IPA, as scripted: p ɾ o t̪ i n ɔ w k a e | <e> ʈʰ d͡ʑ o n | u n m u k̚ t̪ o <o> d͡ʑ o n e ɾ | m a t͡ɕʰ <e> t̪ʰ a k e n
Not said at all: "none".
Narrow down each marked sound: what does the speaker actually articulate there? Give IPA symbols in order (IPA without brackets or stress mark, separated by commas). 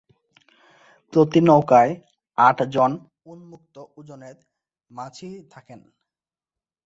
a, u, i